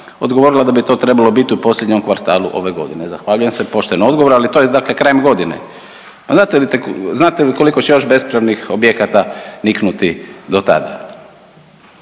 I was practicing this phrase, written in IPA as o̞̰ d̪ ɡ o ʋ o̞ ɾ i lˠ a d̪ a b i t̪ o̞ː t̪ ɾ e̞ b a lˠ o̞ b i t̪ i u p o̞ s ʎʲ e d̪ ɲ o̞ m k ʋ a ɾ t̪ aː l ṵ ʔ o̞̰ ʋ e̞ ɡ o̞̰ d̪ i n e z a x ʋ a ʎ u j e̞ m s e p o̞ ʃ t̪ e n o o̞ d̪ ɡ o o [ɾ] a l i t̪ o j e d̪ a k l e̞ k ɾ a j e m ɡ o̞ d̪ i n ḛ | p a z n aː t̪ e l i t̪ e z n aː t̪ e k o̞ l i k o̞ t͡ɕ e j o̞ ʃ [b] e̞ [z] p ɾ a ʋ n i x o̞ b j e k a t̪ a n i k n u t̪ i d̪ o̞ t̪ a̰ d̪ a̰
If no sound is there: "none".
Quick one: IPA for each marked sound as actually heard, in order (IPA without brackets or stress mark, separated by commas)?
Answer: ɾ, b, s